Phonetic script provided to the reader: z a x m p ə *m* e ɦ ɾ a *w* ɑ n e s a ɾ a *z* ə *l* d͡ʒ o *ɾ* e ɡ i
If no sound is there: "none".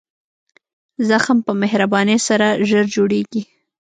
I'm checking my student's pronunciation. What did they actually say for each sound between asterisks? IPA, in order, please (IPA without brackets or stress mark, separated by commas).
m, b, ʒ, ɾ, ɽ